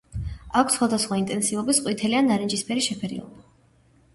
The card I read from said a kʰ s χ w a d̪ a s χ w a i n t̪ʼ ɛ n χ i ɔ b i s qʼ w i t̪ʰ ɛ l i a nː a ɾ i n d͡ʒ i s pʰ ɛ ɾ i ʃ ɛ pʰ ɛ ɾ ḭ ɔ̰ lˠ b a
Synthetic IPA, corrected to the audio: a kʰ s χ w a d̪ a s χ w a i n t̪ʼ ɛ n s i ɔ b i s qʼ w i t̪ʰ ɛ l i a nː a ɾ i n d͡ʒ i s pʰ ɛ ɾ i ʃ ɛ pʰ ɛ ɾ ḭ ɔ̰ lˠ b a

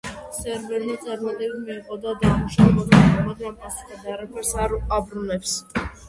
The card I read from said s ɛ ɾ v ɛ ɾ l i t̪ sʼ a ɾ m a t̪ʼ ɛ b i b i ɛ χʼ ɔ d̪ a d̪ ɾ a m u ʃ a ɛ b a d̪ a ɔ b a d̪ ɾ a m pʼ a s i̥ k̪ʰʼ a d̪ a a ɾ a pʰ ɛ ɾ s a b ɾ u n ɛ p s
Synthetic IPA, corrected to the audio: s ɛ ɾ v ɛ ɾ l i t̪ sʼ a ɾ m a t̪ʼ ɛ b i m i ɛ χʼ ɔ d̪ a d̪ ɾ a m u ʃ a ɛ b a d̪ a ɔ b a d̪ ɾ a m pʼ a s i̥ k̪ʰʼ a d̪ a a ɾ a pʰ ɛ ɾ s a b ɾ u n ɛ p s

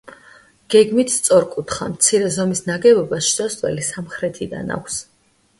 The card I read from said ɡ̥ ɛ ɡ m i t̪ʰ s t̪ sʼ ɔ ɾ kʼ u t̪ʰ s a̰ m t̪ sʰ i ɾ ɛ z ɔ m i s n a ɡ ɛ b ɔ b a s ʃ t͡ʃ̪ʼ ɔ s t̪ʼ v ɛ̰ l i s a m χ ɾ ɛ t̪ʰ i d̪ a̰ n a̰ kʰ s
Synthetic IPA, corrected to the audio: ɡ̥ ɛ ɡ m i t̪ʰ s t̪ sʼ ɔ ɾ kʼ u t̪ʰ χ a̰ m t̪ sʰ i ɾ ɛ z ɔ m i s n a ɡ ɛ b ɔ b a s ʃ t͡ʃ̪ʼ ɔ s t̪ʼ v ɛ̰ l i s a m χ ɾ ɛ t̪ʰ i d̪ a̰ n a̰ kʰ s

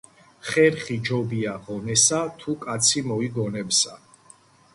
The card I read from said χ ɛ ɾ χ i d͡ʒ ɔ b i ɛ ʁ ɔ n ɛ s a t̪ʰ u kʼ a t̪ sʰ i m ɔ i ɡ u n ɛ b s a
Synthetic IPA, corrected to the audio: χ ɛ ɾ χ i d͡ʒ ɔ b i a ʁ ɔ n ɛ s a t̪ʰ u kʼ a t̪ sʰ i m ɔ i ɡ ɔ n ɛ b s a

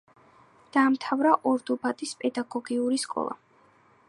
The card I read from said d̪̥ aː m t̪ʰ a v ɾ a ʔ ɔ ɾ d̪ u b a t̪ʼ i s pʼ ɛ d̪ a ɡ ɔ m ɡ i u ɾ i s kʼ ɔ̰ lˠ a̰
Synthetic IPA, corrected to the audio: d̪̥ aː m t̪ʰ a v ɾ a ʔ ɔ ɾ d̪ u b a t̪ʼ i s pʼ ɛ d̪ a ɡ ɔ ɡ i u ɾ i s kʼ ɔ̰ lˠ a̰

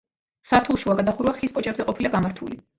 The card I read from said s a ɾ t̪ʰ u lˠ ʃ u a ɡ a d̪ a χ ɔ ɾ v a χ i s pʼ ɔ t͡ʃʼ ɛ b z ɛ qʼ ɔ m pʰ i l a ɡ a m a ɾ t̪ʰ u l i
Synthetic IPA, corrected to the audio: s a ɾ t̪ʰ u lˠ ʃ u a ɡ a d̪ a χ u ɾ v a χ i s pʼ ɔ t͡ʃʼ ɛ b z ɛ qʼ ɔ pʰ i l a ɡ a m a ɾ t̪ʰ u l i

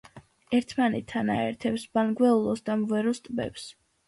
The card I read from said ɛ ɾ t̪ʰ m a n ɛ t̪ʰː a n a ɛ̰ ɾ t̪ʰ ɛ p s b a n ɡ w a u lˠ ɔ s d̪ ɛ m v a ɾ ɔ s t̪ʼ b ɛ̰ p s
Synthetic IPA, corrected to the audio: ɛ ɾ t̪ʰ m a n ɛ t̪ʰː a n a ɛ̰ ɾ t̪ʰ ɛ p s b a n ɡ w ɛ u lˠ ɔ s d̪ a m v ɛ ɾ ɔ s t̪ʼ b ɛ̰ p s

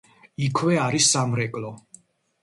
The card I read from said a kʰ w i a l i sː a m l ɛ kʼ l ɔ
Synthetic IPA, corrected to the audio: i kʰ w ɛ a ɾ i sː a m ɾ ɛ kʼ l ɔ

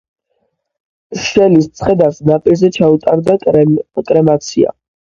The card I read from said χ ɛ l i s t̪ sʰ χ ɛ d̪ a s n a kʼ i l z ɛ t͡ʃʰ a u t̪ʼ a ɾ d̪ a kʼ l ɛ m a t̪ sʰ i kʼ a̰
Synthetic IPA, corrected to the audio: ʃ ɛ l i s t̪ sʰ χ ɛ d̪ a s n a pʼ i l z ɛ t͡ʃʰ a u t̪ʼ a ɾ d̪ a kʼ ɾ ɛ m a t̪ sʰ i a̰

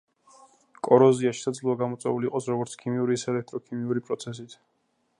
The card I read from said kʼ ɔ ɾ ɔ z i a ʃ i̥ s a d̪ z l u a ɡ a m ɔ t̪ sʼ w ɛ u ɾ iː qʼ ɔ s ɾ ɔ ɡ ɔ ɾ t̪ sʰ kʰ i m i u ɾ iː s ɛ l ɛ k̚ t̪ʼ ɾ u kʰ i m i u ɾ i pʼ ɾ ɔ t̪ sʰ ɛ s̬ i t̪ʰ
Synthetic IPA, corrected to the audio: kʼ ɔ ɾ ɔ z i a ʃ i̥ s a d̪ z l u a ɡ a m ɔ t̪ sʼ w ɛ u l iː qʼ ɔ s ɾ ɔ ɡ ɔ ɾ t̪ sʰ kʰ i m i u ɾ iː s ɛ l ɛ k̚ t̪ʼ ɾ ɔ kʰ i m i u ɾ i pʼ ɾ ɔ t̪ sʰ ɛ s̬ i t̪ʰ

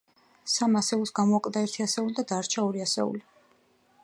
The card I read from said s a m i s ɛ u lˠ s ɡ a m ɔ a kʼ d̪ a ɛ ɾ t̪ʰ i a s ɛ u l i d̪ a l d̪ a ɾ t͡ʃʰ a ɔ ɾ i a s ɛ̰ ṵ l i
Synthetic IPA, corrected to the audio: s a m a s ɛ u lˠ s ɡ a m ɔ a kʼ d̪ a ɛ ɾ t̪ʰ i a s ɛ u l i d̪ a d̪ a ɾ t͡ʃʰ a ɔ ɾ i a s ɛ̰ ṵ l i

